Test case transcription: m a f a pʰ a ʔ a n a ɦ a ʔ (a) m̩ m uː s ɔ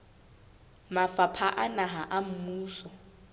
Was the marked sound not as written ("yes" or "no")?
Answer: no